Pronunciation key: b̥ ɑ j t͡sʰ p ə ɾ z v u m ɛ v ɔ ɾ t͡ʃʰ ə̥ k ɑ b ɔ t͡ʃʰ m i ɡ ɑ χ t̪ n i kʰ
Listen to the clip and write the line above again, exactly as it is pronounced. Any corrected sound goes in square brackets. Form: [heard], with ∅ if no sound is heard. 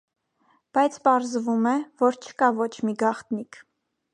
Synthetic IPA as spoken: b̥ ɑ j t͡sʰ p [ɑ] ɾ z v u m ɛ v ɔ ɾ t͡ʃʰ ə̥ k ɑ [v] ɔ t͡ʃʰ m i ɡ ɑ χ t̪ n i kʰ

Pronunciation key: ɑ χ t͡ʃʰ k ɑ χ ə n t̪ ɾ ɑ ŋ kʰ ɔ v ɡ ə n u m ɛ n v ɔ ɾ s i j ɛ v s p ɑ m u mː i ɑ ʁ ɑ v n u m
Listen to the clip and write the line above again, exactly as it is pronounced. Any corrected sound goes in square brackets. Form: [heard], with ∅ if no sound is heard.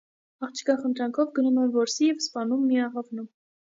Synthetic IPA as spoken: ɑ χ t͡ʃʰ k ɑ χ ə n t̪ ɾ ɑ ŋ kʰ ɔ v ɡ ə n u m ɛ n v ɔ ɾ s i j ɛ v s p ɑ [n] u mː i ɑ ʁ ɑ v n u m

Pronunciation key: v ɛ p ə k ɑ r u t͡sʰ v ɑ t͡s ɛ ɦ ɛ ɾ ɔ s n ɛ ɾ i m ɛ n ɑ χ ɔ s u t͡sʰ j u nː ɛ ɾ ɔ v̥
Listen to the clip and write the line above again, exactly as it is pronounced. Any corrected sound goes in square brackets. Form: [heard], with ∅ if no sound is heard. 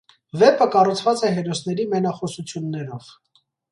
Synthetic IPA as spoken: v ɛ p ə k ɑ r u t͡sʰ v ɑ t͡s ɛ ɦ ɛ ɾ ɔ s n ɛ ɾ i m ɛ n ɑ χ ɔ s u t͡sʰ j u nː ɛ ɾ ɔ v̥

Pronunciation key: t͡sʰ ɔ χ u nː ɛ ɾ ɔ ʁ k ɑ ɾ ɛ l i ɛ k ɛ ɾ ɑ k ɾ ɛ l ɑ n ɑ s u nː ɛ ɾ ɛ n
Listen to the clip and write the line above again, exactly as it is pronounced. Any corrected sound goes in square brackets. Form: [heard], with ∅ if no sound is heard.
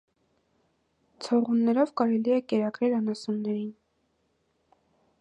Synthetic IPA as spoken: t͡sʰ ɔ [ʁ] u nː ɛ ɾ ɔ [v] k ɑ ɾ ɛ l i ɛ k ɛ ɾ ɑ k ɾ ɛ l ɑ n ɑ s u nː ɛ ɾ [i] n

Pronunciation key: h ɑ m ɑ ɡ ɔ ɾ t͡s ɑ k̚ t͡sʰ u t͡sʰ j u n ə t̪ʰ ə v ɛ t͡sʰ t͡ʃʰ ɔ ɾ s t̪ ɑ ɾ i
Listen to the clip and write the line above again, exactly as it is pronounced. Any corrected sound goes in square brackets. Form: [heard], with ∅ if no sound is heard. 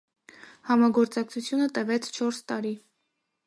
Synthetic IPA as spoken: h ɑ m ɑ ɡ ɔ ɾ t͡s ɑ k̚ t͡sʰ u t͡sʰ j u n ə [t̪] ə v ɛ t͡sʰ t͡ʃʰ ɔ ɾ s t̪ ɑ ɾ i

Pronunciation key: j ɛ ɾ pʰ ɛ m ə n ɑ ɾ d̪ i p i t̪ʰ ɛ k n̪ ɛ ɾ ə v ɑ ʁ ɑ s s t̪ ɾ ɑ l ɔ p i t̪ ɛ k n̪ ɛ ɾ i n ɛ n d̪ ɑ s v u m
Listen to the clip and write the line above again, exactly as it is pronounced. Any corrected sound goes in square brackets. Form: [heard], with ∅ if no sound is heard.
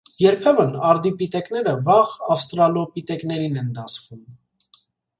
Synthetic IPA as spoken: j ɛ ɾ pʰ ɛ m ə n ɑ ɾ d̪ i p i [t̪] ɛ k n̪ ɛ ɾ ə v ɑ ʁ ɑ [f] s t̪ ɾ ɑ l ɔ p i t̪ ɛ k n̪ ɛ ɾ i n ɛ n d̪ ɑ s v u m

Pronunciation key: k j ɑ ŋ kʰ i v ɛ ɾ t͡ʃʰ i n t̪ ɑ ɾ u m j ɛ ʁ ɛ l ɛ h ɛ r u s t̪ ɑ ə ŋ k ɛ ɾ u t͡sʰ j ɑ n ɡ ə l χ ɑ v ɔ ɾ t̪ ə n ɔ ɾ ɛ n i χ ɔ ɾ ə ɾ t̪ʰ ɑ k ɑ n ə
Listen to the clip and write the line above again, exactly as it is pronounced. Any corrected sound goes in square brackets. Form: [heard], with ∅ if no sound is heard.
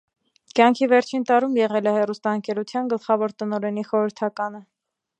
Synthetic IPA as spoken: k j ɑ ŋ kʰ i v ɛ ɾ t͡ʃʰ i n t̪ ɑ ɾ u m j ɛ ʁ ɛ l ɛ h ɛ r u s t̪ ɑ ə ŋ k ɛ ɾ u t͡sʰ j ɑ n ɡ ə l χ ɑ v ɔ ɾ t̪ ə n ɔ ɾ ɛ n i χ ɔ ɾ ə ɾ t̪ʰ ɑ k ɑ n ə

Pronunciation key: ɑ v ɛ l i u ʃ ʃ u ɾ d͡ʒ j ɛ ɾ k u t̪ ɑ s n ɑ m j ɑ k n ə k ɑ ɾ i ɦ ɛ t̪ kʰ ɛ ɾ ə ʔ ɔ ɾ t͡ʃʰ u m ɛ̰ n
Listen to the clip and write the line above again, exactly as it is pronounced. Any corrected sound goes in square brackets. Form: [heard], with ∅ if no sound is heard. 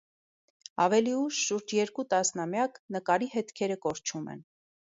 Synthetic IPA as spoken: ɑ v ɛ l i u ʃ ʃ u ɾ d͡ʒ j ɛ ɾ k u t̪ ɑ s n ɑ m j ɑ k n ə k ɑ ɾ i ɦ ɛ t̪ kʰ ɛ ɾ ə [k] ɔ ɾ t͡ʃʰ u m ɛ̰ n

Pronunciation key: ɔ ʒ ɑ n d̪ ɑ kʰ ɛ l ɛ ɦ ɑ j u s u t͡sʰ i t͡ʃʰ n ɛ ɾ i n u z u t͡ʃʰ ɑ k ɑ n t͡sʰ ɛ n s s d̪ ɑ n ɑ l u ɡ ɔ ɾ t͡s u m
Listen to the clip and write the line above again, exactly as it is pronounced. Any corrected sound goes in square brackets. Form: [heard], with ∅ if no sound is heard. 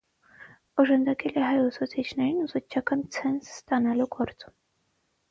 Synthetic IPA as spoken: ɔ ʒ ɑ n d̪ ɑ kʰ ɛ l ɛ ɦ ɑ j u s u t͡sʰ i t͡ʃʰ n ɛ ɾ i n u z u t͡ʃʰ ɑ k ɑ n t͡sʰ ɛ n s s [t̪] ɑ n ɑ l u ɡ ɔ ɾ t͡s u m

